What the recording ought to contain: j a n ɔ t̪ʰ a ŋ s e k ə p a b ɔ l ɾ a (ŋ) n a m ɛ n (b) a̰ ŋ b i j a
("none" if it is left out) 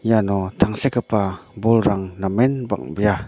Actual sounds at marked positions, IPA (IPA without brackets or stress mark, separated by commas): ŋ, b